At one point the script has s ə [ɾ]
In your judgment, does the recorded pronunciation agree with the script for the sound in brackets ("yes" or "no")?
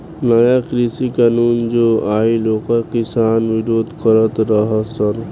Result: yes